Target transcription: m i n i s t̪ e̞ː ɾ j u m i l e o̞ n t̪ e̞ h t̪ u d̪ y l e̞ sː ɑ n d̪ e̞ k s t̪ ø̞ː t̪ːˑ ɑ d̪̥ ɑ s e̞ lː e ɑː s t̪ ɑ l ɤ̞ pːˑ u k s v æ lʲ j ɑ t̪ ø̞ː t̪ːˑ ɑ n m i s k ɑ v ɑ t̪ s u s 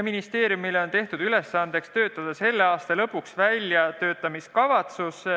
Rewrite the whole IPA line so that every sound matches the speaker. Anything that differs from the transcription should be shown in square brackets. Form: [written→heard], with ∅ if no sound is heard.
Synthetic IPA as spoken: m i n i s t̪ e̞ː ɾ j u m i l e o̞ n t̪ e̞ h t̪ u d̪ y l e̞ sː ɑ n d̪ e̞ k s t̪ ø̞ː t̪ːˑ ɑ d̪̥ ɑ s e̞ lː e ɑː s t̪ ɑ l ɤ̞ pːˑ u k s v æ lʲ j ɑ t̪ ø̞ː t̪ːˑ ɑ [n→∅] m i s k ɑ v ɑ t̪ s u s